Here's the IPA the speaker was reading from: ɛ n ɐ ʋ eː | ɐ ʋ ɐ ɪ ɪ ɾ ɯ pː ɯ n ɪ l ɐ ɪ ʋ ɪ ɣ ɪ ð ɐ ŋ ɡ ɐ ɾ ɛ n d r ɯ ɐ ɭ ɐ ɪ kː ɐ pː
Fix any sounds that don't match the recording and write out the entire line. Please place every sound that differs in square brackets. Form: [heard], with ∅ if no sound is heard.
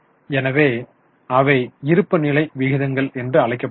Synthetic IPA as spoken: ɛ n ɐ ʋ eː | ɐ ʋ ɐ ɪ ɪ ɾ ɯ pː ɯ n ɪ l ɐ ɪ ʋ ɪ ɣ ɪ ð ɐ ŋ ɡ ɐ [ɭ] ɛ n d r ɯ ɐ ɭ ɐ ɪ kː ɐ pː